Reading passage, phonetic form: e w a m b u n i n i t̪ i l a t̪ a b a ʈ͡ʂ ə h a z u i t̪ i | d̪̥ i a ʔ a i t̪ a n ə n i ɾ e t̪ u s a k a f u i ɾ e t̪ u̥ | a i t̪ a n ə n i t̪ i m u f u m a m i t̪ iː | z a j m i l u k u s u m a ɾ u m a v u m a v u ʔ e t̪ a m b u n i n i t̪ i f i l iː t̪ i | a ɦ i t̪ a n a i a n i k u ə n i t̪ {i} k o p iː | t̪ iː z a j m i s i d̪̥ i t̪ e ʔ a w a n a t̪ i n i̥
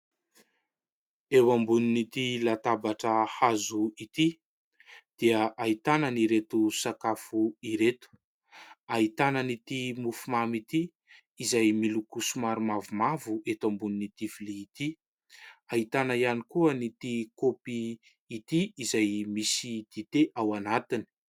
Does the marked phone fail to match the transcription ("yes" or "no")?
no